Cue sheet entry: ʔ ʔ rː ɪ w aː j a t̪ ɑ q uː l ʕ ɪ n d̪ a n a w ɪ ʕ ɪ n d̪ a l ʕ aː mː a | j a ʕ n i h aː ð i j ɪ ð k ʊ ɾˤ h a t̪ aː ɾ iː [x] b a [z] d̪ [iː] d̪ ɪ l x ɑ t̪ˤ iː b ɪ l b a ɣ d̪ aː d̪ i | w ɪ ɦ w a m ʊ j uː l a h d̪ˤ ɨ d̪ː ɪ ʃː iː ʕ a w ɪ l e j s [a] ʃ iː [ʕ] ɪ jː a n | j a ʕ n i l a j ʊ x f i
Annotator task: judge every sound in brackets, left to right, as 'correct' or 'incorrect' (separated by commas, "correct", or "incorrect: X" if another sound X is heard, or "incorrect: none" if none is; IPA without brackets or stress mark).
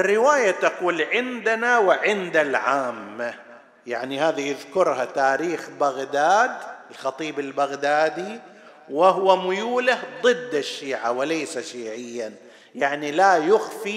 correct, incorrect: ɣ, incorrect: aː, correct, correct